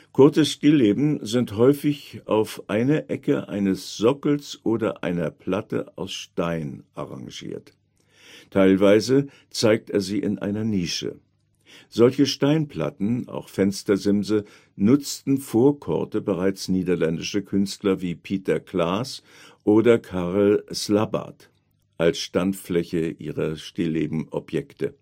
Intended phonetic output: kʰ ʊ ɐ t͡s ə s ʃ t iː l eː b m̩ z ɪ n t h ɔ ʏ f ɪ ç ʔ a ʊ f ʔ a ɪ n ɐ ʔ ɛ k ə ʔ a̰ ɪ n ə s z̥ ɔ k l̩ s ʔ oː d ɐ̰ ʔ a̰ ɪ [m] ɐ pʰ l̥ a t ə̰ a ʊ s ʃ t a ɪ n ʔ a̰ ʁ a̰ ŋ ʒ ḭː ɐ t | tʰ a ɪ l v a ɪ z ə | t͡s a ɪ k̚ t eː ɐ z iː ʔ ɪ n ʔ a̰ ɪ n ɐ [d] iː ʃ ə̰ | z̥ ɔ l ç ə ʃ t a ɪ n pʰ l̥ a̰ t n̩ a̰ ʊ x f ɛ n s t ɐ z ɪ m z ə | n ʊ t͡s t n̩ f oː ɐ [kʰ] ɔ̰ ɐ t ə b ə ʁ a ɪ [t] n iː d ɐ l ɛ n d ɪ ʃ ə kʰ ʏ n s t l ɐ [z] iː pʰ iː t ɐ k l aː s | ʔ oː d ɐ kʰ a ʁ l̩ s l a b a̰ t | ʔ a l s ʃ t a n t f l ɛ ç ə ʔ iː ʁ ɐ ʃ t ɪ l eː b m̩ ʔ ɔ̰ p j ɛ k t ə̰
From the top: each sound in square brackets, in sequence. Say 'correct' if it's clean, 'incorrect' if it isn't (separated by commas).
incorrect, incorrect, correct, incorrect, incorrect